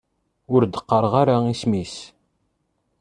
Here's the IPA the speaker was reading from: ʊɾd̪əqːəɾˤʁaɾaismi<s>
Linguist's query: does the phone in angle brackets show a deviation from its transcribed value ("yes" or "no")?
no